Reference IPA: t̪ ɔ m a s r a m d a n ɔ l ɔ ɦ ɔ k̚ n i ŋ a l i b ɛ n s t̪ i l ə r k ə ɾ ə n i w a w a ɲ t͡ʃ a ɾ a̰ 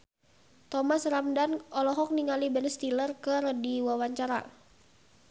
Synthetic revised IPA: t̪ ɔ m a s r a m d a n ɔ l ɔ ɦ ɔ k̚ n i ŋ a l i b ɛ n s t̪ i l ə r k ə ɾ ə d i w a w a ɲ t͡ʃ a ɾ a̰